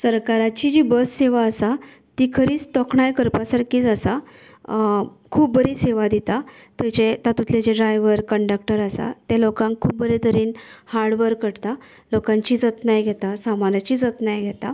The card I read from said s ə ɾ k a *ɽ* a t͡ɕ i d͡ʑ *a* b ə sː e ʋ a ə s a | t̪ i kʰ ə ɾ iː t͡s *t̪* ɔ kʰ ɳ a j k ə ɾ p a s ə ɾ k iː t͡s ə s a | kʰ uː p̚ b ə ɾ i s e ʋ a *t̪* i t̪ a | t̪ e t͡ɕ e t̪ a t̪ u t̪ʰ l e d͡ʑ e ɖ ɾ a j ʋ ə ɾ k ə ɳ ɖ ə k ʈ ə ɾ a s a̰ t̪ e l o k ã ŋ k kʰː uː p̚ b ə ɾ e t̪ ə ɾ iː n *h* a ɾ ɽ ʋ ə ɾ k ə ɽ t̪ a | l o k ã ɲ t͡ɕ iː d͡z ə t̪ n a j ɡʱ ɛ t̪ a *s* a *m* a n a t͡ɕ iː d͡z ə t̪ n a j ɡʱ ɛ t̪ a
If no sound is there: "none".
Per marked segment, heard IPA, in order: ɾ, i, t̪, d̪, h, s, m

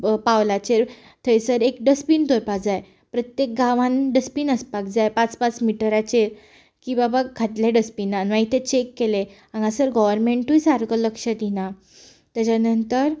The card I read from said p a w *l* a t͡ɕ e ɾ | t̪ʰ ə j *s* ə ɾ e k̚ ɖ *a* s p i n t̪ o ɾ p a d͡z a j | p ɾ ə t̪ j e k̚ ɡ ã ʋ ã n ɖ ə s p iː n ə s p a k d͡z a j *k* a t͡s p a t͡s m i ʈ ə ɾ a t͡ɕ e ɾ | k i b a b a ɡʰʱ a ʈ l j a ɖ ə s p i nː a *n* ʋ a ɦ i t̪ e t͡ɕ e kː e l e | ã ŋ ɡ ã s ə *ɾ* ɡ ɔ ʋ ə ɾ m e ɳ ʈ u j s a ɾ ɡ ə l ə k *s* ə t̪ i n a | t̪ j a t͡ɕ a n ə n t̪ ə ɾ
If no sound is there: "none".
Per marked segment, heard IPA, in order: l, s, ə, p, n, ɾ, ʂ

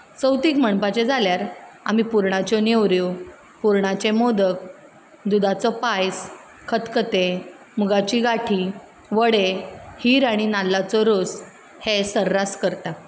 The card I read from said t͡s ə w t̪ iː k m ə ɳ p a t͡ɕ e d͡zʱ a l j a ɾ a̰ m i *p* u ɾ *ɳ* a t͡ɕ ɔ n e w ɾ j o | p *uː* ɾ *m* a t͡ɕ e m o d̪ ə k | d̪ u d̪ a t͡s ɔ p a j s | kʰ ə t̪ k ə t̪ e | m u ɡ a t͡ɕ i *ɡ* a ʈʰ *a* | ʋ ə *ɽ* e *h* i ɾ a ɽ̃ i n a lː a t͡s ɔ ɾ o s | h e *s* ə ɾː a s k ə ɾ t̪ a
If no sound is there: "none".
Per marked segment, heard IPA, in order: p, ɳ, u, ɳ, ɡ, i, ɽ, h, s

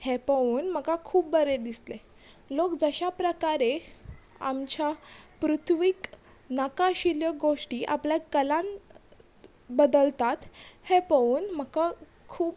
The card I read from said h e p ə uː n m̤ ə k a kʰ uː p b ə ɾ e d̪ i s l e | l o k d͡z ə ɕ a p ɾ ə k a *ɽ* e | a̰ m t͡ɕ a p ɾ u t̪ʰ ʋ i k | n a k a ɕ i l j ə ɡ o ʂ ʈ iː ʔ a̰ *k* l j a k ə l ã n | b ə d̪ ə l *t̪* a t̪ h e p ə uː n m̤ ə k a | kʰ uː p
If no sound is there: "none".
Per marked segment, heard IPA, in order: ɾ, p, t̪

